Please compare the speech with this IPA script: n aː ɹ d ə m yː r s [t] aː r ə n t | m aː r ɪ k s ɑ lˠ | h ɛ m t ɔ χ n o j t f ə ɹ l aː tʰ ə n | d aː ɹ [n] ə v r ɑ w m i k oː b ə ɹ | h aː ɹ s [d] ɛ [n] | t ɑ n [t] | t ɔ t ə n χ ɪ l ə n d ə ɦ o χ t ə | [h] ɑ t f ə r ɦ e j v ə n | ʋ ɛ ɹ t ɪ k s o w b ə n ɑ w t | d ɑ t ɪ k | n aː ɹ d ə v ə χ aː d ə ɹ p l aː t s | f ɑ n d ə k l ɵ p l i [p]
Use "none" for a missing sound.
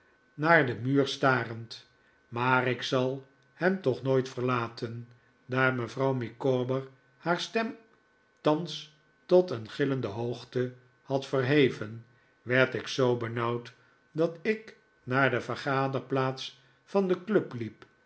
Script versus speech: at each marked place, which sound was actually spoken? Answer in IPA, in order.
t, m, t, m, s, h, p

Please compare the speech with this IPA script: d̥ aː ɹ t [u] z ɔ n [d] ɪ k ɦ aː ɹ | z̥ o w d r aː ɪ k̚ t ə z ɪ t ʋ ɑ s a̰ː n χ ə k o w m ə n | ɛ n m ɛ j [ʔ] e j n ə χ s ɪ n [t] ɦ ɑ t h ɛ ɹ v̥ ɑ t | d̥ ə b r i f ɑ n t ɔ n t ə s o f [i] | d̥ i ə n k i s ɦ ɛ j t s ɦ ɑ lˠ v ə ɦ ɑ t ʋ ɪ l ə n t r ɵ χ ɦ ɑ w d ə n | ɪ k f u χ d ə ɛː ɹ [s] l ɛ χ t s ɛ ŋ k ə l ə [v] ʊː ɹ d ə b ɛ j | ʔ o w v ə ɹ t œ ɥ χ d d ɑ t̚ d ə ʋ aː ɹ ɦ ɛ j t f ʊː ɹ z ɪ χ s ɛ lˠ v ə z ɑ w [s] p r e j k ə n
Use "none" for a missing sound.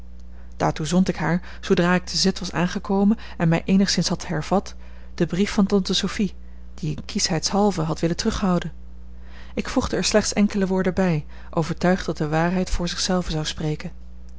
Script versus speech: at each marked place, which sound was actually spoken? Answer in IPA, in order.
u, t, ʔ, s, i, s, ʋ, s

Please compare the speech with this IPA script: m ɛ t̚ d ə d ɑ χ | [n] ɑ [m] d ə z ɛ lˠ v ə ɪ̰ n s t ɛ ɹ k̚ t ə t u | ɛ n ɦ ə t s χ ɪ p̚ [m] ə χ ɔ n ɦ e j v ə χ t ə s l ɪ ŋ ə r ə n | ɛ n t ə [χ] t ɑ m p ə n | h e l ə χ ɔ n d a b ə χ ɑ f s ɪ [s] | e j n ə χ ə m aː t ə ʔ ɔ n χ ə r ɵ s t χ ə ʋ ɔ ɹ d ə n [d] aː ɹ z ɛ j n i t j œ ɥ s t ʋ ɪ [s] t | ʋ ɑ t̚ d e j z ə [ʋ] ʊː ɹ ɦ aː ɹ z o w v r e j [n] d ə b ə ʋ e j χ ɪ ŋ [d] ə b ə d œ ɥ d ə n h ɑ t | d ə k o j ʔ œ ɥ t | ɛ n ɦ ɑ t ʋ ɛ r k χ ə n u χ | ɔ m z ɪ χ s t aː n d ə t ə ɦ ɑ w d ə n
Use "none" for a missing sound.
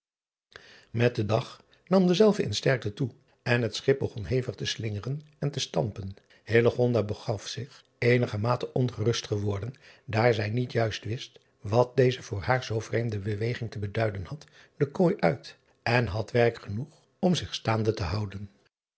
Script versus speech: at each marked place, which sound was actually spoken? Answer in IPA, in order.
n, m, b, s, χ, d, s, v, m, t

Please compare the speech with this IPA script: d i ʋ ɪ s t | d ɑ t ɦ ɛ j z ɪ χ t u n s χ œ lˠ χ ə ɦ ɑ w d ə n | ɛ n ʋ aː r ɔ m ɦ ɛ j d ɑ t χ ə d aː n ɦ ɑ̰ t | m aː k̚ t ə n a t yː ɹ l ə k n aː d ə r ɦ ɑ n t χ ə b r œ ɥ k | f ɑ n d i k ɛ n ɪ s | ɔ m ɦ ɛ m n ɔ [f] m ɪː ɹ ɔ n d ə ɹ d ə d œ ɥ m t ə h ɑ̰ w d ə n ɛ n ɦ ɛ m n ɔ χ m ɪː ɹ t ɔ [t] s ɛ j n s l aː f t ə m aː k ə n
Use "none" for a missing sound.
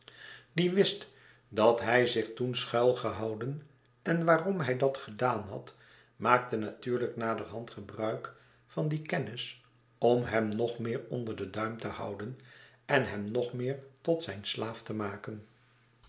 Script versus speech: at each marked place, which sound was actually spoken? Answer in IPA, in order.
χ, t

